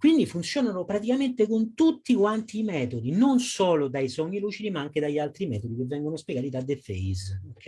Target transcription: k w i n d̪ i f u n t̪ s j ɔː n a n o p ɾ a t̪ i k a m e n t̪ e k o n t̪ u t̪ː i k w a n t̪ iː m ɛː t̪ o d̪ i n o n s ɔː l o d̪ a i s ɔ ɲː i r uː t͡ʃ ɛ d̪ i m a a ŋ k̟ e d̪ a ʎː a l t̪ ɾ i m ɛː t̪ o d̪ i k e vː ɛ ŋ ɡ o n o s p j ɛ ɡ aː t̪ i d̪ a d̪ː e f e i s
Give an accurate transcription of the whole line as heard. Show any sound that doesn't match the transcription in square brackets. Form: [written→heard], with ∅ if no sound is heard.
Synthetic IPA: k w i n d̪ i f u n t̪ s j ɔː n a n o p ɾ a t̪ i k a m e n t̪ e k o n t̪ u t̪ː i k w a n t̪ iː m ɛː t̪ o d̪ i n o n s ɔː l o d̪ a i s ɔ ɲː i [r→l] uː t͡ʃ [ɛ→i] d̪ i m a a ŋ k̟ e d̪ a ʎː a l t̪ ɾ i m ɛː t̪ o d̪ i k e vː ɛ ŋ ɡ o n o s p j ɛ ɡ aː t̪ i d̪ a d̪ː e f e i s